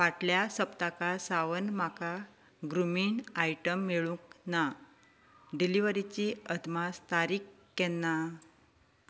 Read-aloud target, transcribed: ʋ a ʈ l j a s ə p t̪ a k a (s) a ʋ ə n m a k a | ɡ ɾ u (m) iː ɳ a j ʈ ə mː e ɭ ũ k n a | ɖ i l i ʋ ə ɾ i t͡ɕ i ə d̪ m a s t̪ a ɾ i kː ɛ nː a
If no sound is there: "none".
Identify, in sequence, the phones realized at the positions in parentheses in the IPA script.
s, m

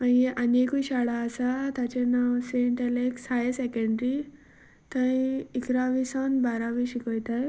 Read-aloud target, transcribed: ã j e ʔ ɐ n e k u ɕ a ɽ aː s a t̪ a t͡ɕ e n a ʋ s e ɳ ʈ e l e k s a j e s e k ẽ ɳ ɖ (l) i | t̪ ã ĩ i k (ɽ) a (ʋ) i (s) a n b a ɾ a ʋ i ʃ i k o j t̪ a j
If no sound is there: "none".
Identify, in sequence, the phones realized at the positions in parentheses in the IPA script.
ɾ, ɾ, ʋ, s

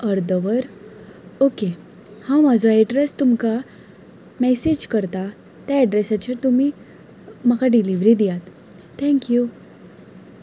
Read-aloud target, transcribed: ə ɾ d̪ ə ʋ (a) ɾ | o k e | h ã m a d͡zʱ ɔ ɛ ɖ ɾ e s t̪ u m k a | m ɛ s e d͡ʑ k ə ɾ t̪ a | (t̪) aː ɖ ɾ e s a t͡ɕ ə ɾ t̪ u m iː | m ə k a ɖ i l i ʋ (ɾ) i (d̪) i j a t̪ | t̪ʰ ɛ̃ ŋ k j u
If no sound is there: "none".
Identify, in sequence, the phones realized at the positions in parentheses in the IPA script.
ə, t̪, ɾ, d̪

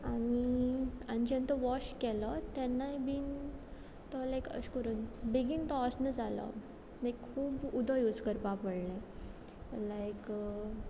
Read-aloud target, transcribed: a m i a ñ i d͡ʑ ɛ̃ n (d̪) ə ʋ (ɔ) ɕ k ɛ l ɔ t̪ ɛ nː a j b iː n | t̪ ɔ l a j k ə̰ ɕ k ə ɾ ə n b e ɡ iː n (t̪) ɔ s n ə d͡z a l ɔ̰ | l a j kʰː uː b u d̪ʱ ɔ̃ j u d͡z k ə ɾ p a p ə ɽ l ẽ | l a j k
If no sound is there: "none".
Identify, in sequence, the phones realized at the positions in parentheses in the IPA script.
t̪, ɔ, t̪

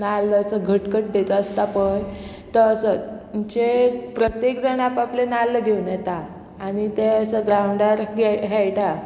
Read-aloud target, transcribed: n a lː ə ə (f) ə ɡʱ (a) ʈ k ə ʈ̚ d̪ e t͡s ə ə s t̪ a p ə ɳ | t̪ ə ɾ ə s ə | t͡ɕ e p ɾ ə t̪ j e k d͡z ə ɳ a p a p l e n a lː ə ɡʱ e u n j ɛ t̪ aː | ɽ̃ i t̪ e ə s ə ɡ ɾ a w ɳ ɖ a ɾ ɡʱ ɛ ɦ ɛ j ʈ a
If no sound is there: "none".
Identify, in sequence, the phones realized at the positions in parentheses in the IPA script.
s, ə

